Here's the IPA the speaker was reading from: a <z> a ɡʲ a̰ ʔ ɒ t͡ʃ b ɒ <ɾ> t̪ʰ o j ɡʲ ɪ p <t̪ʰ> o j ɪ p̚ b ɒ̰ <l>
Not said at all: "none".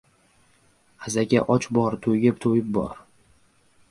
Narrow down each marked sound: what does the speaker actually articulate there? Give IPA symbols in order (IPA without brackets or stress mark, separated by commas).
z, ɾ, t̪ʰ, ɾ